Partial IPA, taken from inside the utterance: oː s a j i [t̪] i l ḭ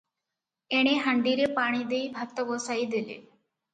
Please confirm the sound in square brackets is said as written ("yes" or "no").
no